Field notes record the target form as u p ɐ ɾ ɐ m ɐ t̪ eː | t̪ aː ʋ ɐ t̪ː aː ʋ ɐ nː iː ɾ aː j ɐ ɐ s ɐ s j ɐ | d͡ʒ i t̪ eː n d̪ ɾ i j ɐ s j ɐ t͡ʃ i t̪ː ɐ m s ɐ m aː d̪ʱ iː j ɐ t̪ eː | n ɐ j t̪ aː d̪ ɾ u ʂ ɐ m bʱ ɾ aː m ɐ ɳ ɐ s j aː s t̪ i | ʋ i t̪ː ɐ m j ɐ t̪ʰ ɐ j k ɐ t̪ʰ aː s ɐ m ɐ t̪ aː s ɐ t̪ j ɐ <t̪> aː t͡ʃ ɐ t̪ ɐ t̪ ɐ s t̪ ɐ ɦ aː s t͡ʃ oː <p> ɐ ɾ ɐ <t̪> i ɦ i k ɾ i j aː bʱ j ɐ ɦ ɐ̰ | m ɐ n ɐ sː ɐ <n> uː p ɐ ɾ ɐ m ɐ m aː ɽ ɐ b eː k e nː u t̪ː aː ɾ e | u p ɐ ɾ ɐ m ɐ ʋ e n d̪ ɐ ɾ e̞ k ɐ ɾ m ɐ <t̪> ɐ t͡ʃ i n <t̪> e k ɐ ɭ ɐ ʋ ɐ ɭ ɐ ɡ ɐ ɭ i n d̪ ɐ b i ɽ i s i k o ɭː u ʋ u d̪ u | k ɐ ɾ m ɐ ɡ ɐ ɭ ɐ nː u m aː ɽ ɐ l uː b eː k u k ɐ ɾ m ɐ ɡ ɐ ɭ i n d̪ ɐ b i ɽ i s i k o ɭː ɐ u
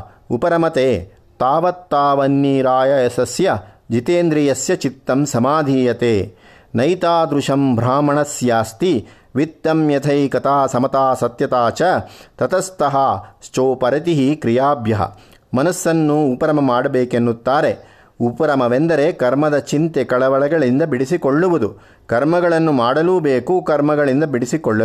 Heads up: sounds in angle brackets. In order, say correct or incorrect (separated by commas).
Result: correct, correct, correct, incorrect, incorrect, correct